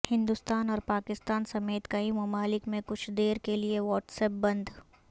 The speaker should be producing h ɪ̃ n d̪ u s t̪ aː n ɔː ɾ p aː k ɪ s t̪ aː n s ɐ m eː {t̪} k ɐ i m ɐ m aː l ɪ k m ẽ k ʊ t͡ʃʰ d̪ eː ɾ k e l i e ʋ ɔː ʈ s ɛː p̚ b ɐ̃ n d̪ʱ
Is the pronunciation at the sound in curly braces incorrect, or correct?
correct